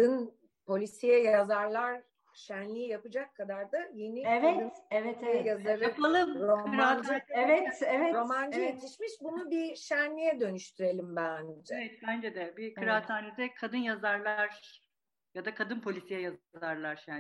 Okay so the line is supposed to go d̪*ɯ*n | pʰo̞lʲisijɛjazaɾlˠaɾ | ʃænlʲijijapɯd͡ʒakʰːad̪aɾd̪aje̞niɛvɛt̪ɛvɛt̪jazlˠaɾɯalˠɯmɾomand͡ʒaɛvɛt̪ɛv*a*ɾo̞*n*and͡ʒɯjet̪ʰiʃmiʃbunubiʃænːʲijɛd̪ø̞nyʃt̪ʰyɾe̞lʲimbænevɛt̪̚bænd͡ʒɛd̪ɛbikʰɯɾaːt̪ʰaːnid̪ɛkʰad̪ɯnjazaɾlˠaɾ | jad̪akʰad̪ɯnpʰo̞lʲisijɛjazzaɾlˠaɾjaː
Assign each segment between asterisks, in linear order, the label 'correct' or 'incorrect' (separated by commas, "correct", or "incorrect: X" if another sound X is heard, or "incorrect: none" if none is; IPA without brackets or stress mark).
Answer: correct, incorrect: ɛ, incorrect: m